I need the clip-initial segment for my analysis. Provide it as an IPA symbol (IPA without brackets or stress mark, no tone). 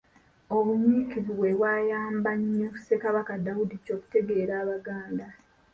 o̞